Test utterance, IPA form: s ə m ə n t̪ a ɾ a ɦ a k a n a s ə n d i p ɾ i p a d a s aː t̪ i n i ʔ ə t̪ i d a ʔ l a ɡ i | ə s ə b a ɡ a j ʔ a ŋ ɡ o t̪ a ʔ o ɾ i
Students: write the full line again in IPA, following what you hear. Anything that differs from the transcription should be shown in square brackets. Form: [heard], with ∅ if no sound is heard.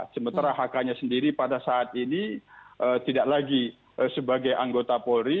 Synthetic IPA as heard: s ə m ə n t̪ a ɾ a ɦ a k a [ɲ] a s ə n d i [∅] ɾ i p a d a s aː t̪ i n i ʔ ə t̪ i d a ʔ l a ɡ i | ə s ə b a ɡ a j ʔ a ŋ ɡ o t̪ a [p] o ɾ i